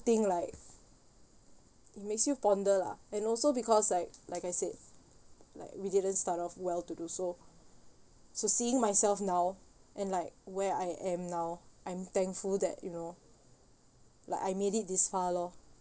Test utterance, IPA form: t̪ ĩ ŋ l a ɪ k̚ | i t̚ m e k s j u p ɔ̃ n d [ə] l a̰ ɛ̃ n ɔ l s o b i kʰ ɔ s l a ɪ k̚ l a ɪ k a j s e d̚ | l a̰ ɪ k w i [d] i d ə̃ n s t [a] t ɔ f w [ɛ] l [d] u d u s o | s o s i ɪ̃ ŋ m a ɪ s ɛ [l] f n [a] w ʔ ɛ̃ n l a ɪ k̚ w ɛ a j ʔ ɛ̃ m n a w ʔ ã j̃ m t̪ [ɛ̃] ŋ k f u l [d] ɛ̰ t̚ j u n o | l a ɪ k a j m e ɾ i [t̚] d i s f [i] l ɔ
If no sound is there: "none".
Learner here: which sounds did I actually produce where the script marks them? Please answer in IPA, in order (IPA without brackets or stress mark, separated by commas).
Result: ə, d, a, ɛ, t, l, a, ɛ̃, d, t̚, a